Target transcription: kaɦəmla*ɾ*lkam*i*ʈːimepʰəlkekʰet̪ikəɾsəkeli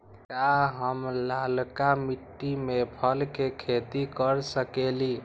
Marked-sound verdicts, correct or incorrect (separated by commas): incorrect, correct